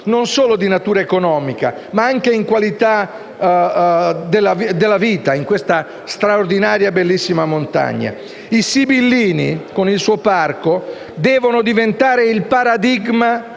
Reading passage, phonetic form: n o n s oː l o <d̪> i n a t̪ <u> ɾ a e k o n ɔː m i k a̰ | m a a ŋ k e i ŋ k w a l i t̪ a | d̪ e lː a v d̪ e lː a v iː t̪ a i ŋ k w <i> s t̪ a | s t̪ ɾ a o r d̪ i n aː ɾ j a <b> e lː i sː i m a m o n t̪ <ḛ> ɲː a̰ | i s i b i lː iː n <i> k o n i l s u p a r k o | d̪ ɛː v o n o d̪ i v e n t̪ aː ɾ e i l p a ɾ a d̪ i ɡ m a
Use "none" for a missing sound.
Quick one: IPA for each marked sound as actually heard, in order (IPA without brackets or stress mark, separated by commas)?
d̪, uː, e, b, a̰, i